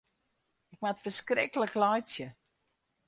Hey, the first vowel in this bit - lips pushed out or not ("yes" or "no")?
no